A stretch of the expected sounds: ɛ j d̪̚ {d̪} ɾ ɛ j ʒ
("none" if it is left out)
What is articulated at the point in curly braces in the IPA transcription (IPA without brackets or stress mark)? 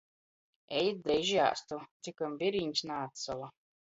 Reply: d̪